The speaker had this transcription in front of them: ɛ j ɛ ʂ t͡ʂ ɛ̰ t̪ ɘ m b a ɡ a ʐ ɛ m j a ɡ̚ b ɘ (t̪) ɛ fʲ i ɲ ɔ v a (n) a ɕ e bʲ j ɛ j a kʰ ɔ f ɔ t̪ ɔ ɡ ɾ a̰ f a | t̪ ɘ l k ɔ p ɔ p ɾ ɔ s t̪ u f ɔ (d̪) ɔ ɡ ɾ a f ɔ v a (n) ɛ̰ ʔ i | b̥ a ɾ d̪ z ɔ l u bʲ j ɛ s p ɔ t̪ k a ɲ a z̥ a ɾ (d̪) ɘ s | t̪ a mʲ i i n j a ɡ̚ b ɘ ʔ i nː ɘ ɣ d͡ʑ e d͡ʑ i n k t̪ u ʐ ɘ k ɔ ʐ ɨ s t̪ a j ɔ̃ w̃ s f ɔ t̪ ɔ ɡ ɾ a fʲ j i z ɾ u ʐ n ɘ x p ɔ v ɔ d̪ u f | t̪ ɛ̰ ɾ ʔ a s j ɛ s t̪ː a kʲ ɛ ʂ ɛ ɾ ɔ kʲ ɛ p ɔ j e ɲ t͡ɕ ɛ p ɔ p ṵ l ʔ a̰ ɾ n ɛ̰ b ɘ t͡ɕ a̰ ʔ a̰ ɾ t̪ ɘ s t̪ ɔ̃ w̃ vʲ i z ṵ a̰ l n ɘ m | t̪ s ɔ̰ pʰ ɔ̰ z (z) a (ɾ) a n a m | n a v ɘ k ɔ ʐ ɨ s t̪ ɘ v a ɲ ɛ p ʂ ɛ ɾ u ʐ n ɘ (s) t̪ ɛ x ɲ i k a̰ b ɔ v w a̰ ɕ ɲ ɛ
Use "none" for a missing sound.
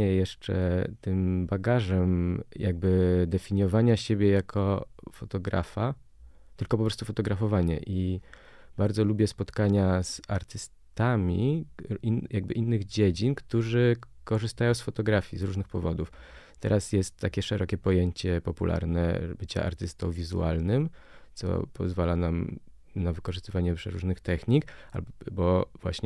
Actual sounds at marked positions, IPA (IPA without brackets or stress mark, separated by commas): d̪, ɲ, t̪, ɲ, t̪, v, l, x